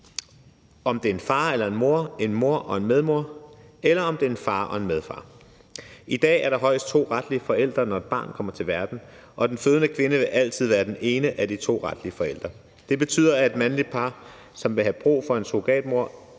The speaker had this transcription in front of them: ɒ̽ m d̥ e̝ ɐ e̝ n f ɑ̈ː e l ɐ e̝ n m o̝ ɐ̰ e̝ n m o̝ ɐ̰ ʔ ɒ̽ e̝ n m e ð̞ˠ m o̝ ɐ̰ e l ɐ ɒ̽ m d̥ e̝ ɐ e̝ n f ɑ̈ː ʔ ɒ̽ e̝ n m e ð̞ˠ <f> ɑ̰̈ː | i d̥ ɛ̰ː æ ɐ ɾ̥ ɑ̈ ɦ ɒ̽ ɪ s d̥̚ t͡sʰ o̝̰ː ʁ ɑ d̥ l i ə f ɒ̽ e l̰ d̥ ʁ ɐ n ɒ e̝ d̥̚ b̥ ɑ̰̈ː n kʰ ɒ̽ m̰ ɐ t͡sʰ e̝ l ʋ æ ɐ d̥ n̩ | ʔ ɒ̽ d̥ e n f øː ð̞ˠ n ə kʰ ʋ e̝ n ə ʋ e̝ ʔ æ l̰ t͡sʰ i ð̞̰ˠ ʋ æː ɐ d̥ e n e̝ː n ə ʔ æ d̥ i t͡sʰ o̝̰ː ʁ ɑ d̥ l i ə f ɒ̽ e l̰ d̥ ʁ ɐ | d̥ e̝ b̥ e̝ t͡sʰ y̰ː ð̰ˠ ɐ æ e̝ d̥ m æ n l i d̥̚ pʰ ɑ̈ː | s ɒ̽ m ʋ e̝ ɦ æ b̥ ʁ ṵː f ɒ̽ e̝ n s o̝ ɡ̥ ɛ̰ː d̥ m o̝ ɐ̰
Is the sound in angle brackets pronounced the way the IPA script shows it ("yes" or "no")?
yes